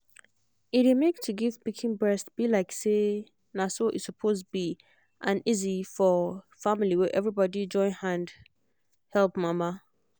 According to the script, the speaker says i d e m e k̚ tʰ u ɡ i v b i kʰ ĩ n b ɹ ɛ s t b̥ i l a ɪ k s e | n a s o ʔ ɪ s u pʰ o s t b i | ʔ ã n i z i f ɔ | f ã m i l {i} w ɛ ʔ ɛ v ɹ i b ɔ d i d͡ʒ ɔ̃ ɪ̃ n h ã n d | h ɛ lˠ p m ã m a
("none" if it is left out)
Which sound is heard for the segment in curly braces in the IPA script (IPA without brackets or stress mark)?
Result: i